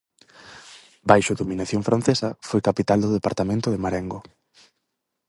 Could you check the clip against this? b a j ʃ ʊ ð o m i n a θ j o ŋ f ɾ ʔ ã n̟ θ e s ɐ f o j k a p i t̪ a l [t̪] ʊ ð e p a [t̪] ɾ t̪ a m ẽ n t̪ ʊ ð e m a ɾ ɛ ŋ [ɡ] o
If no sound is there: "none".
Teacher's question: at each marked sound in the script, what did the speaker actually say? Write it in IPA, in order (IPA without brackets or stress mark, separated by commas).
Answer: d̪, none, ɡ